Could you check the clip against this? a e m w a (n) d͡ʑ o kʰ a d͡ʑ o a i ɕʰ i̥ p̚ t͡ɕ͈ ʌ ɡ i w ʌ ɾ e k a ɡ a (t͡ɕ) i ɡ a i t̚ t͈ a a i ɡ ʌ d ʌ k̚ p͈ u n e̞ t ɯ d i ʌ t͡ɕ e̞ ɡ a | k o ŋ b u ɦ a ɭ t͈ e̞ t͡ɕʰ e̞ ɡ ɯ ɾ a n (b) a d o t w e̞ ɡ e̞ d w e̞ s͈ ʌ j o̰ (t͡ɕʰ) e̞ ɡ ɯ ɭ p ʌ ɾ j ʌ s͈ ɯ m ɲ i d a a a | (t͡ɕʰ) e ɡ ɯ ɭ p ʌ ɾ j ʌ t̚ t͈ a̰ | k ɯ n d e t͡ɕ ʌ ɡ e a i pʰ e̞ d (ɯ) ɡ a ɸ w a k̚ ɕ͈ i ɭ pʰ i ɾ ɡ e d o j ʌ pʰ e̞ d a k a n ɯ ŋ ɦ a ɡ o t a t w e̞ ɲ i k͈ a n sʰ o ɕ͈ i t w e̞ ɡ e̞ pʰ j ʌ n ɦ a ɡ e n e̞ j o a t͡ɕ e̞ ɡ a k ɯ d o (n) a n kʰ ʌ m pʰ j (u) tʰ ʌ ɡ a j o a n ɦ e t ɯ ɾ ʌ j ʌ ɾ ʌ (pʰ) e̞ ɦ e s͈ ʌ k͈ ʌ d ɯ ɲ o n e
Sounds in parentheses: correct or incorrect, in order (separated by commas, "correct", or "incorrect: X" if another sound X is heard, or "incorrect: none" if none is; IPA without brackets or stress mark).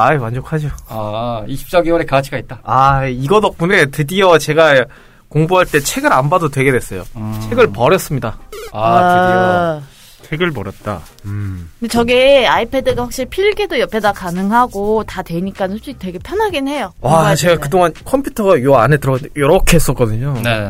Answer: correct, incorrect: t͡ɕʰ, correct, correct, correct, correct, incorrect: ŋ, correct, incorrect: kʰ